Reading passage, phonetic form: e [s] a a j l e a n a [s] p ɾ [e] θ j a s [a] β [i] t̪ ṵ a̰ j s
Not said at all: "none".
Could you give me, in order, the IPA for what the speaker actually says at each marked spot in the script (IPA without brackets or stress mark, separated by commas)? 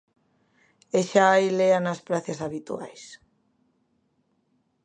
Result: ʃ, s, a, a, i